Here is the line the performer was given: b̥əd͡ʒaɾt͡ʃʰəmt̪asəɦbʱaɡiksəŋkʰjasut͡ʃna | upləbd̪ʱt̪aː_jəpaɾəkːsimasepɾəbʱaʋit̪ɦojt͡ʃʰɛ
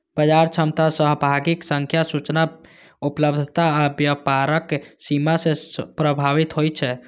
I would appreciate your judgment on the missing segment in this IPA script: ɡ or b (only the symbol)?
b